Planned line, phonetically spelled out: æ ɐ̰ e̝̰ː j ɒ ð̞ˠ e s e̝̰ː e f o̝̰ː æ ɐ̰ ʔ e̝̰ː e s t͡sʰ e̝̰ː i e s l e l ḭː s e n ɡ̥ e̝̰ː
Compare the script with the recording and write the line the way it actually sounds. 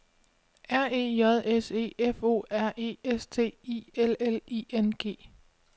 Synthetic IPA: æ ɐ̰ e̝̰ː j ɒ ð̞ˠ e s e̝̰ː e f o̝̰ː æ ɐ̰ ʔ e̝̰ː e s t͡sʰ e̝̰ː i e l e l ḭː e n ɡ̥ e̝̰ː